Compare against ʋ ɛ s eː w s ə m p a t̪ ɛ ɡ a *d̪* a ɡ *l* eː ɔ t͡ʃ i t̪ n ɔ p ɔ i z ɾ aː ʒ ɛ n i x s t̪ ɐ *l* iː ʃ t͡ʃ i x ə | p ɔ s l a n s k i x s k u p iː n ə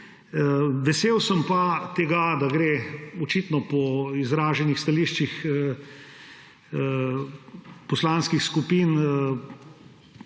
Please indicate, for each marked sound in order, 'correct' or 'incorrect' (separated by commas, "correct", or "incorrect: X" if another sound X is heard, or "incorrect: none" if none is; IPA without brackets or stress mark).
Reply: correct, incorrect: ɾ, correct